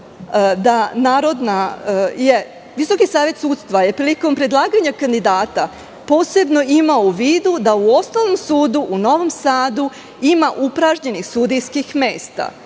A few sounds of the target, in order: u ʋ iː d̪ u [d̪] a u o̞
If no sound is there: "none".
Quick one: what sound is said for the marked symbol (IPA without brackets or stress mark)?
d̪